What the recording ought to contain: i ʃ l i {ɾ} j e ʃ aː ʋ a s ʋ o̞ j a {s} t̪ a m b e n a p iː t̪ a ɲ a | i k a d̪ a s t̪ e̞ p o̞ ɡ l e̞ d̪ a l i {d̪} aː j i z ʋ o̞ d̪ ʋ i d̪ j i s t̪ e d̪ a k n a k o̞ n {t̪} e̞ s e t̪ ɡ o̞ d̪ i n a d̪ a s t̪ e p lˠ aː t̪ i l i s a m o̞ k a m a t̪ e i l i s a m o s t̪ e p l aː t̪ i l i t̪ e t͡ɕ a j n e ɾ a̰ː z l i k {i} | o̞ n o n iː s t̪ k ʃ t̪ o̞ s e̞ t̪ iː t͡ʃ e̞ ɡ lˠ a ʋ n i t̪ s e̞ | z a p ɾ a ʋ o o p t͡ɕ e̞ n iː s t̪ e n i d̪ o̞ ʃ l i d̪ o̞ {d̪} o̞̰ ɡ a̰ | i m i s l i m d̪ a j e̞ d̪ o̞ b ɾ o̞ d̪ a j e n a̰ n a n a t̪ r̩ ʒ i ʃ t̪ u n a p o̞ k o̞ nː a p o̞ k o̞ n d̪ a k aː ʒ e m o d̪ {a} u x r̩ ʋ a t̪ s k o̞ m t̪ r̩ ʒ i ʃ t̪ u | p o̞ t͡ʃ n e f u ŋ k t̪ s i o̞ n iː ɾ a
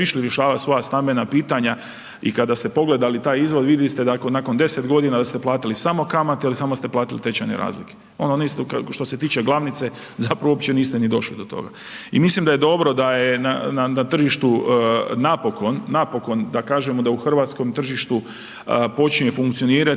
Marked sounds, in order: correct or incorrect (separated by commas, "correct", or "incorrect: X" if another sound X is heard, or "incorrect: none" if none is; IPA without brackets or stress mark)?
correct, correct, incorrect: t̪, incorrect: d̪, incorrect: e, incorrect: t̪, correct